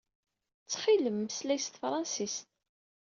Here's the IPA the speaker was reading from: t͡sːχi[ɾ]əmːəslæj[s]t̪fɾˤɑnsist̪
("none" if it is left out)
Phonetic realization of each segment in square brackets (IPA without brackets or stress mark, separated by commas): l, s